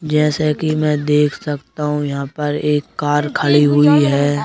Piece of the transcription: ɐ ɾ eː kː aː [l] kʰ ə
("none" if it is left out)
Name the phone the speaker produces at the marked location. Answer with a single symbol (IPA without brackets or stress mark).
ɾ